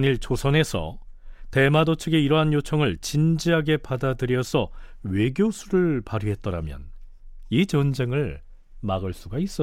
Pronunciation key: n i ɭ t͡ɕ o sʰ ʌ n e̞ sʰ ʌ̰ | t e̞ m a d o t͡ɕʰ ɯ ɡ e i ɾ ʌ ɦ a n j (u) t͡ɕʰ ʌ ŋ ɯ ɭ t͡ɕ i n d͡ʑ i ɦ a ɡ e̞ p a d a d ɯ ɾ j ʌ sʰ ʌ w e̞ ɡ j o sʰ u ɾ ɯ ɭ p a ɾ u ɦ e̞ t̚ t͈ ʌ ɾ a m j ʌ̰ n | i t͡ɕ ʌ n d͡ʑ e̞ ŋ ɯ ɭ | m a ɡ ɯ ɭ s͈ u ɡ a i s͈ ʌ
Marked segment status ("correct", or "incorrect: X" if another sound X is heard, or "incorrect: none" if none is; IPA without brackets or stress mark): incorrect: o